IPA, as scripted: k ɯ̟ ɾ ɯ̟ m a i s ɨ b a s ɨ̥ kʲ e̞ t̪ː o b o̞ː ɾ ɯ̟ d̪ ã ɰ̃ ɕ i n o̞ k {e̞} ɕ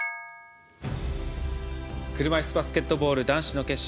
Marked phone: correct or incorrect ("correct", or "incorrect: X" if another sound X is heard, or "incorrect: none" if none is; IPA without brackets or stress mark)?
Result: correct